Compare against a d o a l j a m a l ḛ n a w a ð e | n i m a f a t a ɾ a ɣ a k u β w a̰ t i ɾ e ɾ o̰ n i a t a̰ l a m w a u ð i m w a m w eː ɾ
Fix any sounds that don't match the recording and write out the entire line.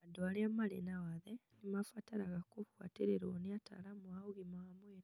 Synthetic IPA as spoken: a d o a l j a m a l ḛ n a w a ð e | n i m a f a t a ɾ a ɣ a k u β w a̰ t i ɾ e ɾ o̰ n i a t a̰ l a m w a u ɣ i m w a m w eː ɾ